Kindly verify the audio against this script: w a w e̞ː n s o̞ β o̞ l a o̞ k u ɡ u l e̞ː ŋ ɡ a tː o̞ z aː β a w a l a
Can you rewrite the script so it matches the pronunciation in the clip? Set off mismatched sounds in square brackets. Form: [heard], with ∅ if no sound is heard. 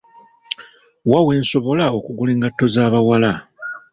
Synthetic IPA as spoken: w a w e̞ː n s o̞ β o̞ l a o̞ k u ɡ u l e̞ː ŋ ɡ a tː o̞ z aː β a w a l a

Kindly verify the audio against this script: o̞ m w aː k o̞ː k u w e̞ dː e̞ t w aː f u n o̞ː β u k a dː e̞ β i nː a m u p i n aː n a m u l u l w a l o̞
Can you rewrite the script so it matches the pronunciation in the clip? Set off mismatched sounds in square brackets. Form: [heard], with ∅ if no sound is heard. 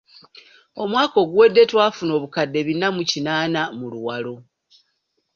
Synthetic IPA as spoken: o̞ m w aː k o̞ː [ɡ] u w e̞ dː e̞ t w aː f u n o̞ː β u k a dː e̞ β i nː a m u [c] i n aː n a m u l u [∅] w a l o̞

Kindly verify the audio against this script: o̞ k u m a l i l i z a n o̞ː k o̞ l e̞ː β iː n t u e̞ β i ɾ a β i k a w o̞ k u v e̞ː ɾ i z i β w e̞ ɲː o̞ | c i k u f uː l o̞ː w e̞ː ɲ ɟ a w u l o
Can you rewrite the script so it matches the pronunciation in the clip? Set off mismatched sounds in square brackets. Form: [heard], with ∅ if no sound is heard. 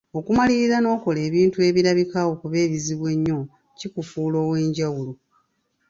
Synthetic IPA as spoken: o̞ k u m a l i [ɾ] i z a n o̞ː k o̞ l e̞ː β iː n t u e̞ β i ɾ a β i k a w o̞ k u [β] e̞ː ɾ i z i β w e̞ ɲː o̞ | c i k u f uː l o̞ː w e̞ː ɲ ɟ a w u l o

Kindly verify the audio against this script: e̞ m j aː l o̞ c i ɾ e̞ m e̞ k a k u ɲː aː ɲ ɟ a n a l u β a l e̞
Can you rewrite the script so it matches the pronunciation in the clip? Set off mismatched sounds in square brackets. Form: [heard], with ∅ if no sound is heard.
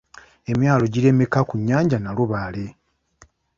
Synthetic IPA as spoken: e̞ m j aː l o̞ [ɟ] i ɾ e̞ m e̞ k a k u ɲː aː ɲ ɟ a n a l u β a l e̞

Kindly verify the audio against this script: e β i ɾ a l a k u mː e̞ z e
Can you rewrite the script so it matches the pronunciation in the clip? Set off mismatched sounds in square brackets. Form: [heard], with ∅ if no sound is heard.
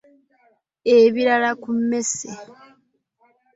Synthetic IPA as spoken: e β i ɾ a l a k u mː e̞ [s] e

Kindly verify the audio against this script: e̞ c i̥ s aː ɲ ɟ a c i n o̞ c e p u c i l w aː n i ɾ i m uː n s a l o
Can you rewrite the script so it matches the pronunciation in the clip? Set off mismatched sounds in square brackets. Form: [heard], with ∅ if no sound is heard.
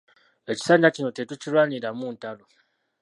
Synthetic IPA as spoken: e̞ c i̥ s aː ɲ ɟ a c i n o̞ [t] e [t] u c i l w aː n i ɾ [a] m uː n [t] a l o

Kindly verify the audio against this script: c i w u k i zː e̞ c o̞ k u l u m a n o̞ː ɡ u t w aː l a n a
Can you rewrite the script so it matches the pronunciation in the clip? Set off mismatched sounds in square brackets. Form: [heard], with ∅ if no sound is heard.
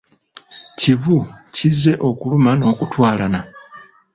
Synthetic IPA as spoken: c i [v] u [c] i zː e̞ [ʔ] o̞ k u l u m a n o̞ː [k] u t w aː l a n a

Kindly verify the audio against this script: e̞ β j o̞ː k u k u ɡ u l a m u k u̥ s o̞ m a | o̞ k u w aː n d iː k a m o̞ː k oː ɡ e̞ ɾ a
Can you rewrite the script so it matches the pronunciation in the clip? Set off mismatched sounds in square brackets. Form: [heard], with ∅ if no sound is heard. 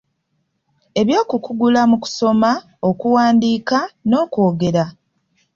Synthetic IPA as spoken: e̞ β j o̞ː k u k u ɡ u l a m u k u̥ s o̞ m a | o̞ k u w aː n d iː k a [n] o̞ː k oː ɡ e̞ ɾ a

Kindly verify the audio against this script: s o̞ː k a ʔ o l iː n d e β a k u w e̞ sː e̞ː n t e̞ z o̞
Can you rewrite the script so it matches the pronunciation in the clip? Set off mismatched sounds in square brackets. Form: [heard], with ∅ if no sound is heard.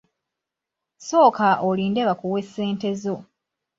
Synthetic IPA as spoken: s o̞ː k a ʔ o l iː n d e β a k u w e̞ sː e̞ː n t e̞ z o̞

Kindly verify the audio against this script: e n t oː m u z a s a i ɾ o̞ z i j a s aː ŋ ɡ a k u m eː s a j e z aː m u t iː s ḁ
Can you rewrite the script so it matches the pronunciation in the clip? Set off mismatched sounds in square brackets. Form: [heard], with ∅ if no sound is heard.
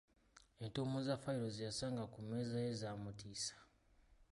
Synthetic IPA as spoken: e n t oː m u z a [f] a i ɾ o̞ z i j a s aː ŋ ɡ a k u m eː [z] a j e z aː m u t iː s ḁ

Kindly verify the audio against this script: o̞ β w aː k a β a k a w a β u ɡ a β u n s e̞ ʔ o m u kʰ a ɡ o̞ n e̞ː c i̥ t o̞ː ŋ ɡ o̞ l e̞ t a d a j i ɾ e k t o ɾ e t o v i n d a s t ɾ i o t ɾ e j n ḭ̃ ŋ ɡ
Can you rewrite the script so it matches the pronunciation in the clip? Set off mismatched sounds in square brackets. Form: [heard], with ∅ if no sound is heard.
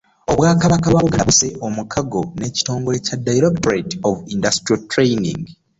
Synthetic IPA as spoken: o̞ β w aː k a β a k a [β] a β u ɡ a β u [∅] s e̞ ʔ o m u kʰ a ɡ o̞ n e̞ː c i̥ t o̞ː ŋ ɡ o̞ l e̞ [c] a d a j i ɾ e k t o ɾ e t o v i n d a s t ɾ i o t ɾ e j n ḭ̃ ŋ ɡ

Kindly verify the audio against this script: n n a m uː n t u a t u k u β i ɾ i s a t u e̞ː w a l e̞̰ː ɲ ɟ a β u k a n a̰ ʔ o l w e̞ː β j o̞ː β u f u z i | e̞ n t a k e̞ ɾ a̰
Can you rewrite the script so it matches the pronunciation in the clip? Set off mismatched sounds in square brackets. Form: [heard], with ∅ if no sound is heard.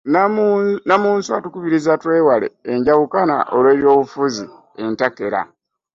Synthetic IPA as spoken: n n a m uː n [s] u a t u k u β i ɾ i [z] a t [w] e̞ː w a l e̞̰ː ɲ ɟ a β u k a n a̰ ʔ o l w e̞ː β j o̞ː β u f u z i | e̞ n t a k e̞ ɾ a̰

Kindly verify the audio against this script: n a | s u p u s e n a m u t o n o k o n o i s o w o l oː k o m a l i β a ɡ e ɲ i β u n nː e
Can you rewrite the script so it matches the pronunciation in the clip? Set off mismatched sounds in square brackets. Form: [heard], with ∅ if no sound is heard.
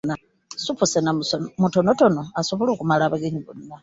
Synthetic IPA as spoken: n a | s u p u s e n a m u t o n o [t] o n o [a] s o [β] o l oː k [u] m a l [a] β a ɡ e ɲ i β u n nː [a]

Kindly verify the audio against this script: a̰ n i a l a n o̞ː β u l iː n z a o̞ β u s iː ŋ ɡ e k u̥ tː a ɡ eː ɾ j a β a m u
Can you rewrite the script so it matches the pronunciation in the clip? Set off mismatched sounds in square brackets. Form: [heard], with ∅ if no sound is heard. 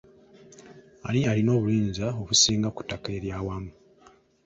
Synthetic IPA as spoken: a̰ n i a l [i] n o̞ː β u l iː n z a o̞ β u s iː ŋ ɡ [a] k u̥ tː a [k] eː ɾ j a [w] a m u

